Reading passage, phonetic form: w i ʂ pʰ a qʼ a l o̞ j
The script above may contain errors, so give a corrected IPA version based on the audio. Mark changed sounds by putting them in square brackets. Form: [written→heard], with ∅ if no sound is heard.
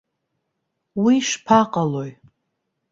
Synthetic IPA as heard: w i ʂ pʰ a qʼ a l o̞ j